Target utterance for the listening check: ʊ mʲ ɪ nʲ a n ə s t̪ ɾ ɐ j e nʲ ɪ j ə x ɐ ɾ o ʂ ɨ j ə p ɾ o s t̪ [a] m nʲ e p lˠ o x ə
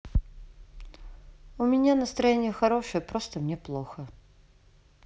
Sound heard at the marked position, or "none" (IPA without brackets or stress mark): ə